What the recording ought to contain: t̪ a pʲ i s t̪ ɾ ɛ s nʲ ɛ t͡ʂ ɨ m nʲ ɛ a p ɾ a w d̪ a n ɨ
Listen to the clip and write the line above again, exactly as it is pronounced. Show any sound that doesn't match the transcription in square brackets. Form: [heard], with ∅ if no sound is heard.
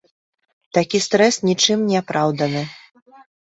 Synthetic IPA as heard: t̪ a [kʲ] i s t̪ ɾ ɛ s nʲ [i] t͡ʂ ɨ m nʲ ɛ a p ɾ a w d̪ [ɐ] n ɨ